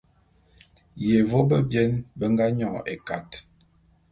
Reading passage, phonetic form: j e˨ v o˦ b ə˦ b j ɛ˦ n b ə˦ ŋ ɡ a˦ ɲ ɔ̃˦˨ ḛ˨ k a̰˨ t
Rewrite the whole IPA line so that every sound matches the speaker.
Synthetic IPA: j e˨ v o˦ b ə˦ b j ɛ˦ n b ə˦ ŋ ɡ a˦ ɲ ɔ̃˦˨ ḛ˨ k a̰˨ t